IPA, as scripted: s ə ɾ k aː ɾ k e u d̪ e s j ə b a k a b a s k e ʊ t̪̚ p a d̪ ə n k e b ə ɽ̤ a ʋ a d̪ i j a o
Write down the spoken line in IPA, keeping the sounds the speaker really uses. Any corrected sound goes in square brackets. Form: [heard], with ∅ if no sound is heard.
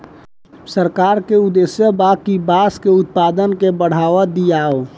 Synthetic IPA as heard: s ə ɾ k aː ɾ k e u d̪ e s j ə b a k [i] b a s k e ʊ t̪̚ p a d̪ ə n k e b ə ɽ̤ a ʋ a d̪ i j a o